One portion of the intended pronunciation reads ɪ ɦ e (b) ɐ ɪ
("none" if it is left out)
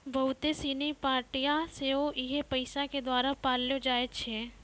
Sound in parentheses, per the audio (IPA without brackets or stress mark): p